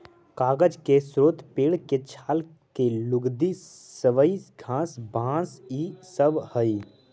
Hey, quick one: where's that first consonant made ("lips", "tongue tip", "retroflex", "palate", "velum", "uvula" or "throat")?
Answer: velum